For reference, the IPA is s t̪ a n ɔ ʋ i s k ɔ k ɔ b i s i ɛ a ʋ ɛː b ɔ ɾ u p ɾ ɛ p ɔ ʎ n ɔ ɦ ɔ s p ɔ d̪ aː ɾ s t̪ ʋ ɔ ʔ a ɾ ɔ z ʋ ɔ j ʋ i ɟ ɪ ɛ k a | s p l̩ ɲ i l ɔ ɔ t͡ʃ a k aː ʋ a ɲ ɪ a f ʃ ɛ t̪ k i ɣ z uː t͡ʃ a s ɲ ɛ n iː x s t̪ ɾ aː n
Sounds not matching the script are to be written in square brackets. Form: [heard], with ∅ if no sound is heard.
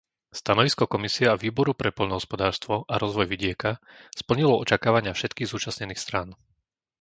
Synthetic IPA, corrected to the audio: s t̪ a n ɔ ʋ i s k ɔ k ɔ [m] i s i ɛ a ʋ [iː] b ɔ ɾ u p ɾ ɛ p ɔ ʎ n ɔ ɦ ɔ s p ɔ d̪ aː ɾ s t̪ ʋ ɔ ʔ a ɾ ɔ z ʋ ɔ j ʋ i ɟ ɪ ɛ k a | s p l̩ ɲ i l ɔ ɔ t͡ʃ a k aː ʋ a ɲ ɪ a f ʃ ɛ t̪ k [iː] ɣ z uː t͡ʃ a s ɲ ɛ n iː x s t̪ ɾ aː n

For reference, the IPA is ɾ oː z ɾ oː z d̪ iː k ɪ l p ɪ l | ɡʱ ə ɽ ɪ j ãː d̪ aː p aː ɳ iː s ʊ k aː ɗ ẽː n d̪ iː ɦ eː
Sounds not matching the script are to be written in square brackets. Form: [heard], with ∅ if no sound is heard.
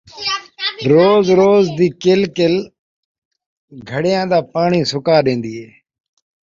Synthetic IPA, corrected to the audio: ɾ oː z ɾ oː z d̪ iː k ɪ l [k] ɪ l | ɡʱ ə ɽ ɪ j ãː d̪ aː p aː ɳ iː s ʊ k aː ɗ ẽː n d̪ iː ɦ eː

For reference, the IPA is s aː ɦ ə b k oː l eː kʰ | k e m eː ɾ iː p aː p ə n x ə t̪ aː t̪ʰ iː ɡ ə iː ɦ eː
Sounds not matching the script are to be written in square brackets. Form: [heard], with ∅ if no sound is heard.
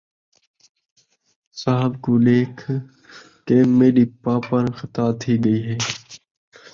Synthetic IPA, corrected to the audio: s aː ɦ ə b k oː l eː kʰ | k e m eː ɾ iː p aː p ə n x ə t̪ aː t̪ʰ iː ɡ ə iː ɦ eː

